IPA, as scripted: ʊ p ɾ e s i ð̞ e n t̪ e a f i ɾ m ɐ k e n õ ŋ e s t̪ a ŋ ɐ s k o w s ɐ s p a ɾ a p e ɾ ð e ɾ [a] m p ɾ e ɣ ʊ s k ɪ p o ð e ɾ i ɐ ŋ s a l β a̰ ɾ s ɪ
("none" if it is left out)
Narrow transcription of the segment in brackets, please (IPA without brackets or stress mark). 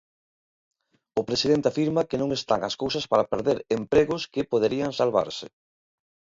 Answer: e